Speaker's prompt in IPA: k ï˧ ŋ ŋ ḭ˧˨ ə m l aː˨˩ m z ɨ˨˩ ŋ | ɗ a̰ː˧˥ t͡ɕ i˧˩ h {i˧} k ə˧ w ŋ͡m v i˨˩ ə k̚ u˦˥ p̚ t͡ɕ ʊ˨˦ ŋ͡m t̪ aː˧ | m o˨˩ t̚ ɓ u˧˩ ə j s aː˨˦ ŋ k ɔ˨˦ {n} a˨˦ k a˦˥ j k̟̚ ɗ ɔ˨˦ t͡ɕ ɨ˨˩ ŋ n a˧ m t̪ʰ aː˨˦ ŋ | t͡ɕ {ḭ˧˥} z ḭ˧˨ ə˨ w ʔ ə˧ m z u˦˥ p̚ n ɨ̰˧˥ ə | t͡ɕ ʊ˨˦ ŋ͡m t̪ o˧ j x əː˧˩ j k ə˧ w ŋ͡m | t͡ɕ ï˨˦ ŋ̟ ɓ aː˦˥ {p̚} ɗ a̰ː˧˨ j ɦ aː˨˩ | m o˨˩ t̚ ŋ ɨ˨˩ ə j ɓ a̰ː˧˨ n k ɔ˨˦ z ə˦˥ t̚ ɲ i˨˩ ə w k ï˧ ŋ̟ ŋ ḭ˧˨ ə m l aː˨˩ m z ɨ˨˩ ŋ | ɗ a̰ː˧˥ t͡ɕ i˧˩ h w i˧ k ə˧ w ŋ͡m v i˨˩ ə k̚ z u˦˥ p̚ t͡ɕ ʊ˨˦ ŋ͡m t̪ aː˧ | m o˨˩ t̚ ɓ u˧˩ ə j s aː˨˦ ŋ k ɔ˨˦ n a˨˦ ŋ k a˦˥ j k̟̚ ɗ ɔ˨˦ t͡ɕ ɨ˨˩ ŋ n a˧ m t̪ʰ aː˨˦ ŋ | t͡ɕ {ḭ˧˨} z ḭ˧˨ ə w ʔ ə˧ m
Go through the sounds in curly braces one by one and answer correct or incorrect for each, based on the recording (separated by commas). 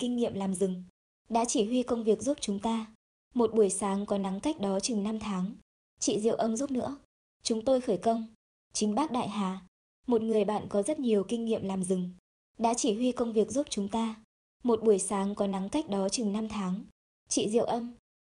correct, correct, incorrect, incorrect, correct